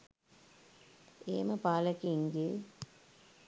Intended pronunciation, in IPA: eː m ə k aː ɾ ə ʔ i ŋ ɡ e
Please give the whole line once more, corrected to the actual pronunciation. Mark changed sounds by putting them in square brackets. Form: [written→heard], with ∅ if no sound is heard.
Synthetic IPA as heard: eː m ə [k→p] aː [ɾ→l] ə [ʔ→k] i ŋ ɡ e